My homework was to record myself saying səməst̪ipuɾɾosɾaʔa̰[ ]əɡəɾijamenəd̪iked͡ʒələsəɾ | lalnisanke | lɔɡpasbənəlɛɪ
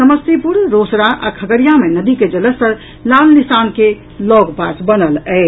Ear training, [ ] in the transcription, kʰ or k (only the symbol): kʰ